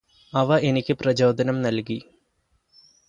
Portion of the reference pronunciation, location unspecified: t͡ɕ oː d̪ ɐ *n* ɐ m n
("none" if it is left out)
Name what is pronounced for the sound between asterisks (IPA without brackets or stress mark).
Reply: n